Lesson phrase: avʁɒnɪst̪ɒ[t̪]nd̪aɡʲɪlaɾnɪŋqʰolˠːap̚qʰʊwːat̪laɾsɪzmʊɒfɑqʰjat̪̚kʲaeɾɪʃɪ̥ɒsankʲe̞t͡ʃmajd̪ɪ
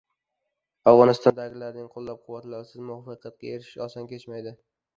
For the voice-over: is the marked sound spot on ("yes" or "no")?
no